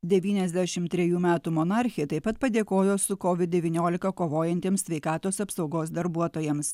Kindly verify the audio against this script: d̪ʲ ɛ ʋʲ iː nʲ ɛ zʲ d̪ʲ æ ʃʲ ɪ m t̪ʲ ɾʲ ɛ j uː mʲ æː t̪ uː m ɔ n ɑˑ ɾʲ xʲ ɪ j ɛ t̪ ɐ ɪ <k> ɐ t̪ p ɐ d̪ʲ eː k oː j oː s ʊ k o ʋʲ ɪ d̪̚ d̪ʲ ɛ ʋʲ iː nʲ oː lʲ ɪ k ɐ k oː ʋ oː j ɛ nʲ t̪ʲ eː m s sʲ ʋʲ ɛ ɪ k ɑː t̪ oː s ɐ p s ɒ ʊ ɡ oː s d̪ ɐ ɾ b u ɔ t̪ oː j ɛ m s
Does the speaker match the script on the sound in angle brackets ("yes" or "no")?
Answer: no